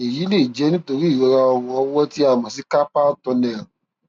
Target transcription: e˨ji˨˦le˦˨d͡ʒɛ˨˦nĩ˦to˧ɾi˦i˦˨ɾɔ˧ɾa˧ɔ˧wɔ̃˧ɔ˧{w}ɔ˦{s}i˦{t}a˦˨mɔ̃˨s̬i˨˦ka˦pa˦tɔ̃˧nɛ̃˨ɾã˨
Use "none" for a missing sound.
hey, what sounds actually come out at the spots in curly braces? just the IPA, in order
w, t, none

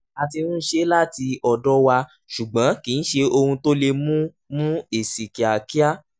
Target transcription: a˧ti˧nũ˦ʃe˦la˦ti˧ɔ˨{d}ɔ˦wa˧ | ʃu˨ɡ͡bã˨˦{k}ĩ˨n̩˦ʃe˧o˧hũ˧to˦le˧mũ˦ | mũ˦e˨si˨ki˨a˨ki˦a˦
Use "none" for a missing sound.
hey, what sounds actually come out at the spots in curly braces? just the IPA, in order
d, k

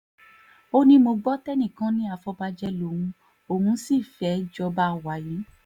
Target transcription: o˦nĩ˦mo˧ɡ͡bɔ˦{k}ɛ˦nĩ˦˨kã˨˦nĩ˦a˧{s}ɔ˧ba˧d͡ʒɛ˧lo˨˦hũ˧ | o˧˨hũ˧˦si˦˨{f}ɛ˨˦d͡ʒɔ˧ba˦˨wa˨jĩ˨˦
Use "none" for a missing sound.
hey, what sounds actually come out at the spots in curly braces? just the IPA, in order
t, f, f

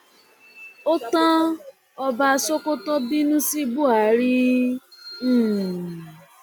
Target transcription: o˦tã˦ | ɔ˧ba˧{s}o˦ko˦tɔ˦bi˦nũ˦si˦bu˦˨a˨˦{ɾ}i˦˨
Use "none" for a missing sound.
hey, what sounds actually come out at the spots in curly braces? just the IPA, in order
s, ɾ

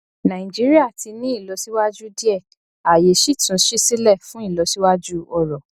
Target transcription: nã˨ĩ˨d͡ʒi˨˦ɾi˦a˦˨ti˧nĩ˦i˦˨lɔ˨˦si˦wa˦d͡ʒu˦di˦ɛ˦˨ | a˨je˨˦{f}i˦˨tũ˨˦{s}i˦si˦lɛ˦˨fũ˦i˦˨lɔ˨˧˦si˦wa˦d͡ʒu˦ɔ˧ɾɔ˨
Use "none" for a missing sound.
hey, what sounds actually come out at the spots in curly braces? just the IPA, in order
ʃ, ʃ

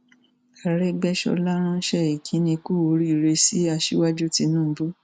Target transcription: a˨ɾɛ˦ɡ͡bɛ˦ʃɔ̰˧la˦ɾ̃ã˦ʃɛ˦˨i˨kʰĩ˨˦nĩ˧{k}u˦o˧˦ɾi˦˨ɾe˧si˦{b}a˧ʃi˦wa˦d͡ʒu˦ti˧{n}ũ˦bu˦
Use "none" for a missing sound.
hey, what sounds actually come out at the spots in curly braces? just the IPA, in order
k, none, n

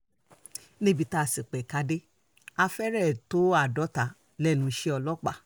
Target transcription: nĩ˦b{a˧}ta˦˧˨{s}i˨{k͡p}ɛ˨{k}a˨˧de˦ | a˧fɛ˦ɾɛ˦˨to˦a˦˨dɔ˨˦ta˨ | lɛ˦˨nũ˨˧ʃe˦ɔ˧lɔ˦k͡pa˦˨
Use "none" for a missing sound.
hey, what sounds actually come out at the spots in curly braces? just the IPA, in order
i˧, s, k͡p, k

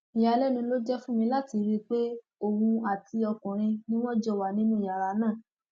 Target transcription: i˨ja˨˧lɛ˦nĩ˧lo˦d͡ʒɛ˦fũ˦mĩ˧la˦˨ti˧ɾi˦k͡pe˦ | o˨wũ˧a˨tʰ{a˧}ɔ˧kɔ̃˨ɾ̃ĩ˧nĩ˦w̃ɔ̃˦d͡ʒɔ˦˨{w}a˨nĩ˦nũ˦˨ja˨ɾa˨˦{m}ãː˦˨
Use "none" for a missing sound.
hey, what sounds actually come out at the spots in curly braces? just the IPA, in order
i˧, w, n

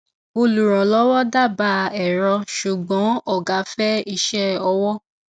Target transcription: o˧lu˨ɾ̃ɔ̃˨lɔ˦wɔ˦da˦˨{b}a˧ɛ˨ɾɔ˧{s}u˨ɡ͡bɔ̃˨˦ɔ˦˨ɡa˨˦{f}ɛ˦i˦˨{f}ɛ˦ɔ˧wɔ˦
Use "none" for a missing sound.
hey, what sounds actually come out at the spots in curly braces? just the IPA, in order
b, ʃ, f, ʃ

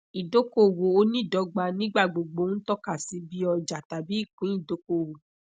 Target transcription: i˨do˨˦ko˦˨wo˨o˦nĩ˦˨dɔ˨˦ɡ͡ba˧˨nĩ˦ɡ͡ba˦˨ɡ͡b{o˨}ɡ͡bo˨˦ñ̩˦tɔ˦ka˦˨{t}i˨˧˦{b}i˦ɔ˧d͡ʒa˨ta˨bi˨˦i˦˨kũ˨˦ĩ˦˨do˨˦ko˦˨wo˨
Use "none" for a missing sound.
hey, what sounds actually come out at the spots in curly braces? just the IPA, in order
o˨, s, b

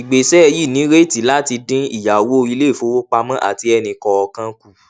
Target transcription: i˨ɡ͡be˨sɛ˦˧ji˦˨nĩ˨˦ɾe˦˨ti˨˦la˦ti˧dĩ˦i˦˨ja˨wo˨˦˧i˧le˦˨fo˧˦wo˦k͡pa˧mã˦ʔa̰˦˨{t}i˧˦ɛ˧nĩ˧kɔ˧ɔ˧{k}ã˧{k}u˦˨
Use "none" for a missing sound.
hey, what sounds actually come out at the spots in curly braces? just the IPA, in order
t, k, k

